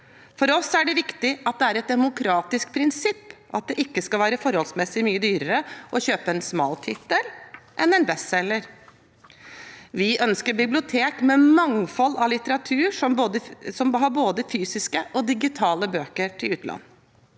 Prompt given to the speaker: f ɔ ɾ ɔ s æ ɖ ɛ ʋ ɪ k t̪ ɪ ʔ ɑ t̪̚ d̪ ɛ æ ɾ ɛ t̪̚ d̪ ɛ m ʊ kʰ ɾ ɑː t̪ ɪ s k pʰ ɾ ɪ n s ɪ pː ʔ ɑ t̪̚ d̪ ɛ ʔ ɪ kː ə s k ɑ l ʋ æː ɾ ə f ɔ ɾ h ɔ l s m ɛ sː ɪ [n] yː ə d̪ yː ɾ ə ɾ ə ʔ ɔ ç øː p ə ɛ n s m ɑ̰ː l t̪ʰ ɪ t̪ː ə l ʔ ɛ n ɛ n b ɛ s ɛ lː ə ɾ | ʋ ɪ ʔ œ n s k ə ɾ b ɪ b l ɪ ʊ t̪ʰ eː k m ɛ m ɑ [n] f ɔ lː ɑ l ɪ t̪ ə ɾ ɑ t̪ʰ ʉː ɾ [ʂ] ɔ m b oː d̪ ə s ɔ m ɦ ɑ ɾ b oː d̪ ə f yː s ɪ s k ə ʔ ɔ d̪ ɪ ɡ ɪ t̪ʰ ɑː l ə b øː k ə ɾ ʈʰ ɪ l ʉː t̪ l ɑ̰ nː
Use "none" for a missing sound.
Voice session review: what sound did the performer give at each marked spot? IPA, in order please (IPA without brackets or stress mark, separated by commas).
m, ŋ, ʂ